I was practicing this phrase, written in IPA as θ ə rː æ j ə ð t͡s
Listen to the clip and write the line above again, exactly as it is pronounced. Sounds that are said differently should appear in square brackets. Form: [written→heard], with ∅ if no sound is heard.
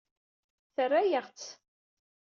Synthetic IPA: θ ə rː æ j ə [ð→ʁ] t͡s